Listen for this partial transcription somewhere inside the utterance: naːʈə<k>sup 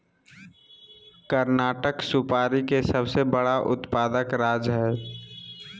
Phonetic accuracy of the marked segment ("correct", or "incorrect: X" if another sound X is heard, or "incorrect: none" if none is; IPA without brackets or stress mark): correct